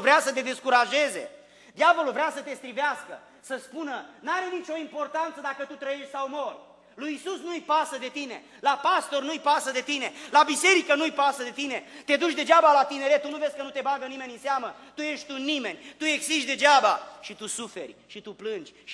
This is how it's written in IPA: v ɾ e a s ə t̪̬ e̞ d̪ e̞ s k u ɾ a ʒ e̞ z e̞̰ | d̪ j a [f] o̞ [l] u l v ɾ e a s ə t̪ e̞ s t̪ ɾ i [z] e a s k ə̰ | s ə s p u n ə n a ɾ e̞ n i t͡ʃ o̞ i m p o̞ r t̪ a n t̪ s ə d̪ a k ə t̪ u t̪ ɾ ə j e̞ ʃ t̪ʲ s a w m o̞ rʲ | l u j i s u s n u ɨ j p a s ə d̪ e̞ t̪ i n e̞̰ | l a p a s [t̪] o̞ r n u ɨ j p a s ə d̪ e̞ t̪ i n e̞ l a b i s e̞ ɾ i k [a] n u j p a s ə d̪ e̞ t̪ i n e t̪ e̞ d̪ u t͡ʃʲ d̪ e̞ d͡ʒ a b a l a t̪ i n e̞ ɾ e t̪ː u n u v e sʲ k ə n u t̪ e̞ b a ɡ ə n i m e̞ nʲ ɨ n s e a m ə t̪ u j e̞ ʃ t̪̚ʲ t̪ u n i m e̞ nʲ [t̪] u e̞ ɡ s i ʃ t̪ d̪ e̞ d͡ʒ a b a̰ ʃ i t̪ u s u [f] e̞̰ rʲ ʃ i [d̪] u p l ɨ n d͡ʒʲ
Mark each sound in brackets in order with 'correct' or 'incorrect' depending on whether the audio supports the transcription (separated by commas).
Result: incorrect, correct, incorrect, correct, incorrect, correct, correct, incorrect